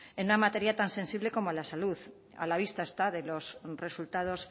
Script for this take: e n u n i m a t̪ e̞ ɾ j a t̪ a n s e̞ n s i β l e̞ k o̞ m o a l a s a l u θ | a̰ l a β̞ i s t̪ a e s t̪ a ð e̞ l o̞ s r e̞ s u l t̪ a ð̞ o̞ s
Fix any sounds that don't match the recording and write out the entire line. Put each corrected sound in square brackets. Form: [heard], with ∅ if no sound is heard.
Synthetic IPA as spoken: e n u n [a] m a t̪ e̞ ɾ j a t̪ a n s e̞ n s i β l e̞ k o̞ m o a l a s a l u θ | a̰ l a β̞ i s t̪ a e s t̪ a ð e̞ l o̞ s r e̞ s u l t̪ a ð̞ o̞ s